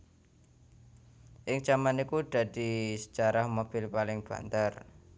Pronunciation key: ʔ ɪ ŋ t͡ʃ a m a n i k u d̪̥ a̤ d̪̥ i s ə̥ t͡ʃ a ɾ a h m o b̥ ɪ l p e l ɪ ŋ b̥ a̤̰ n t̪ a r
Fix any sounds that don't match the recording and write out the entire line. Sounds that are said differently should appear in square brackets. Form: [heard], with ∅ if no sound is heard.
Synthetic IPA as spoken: ʔ ɪ ŋ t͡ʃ a m a n i k u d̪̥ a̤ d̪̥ i s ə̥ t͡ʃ a ɾ a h m o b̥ ɪ l p [a] l ɪ ŋ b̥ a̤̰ n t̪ a r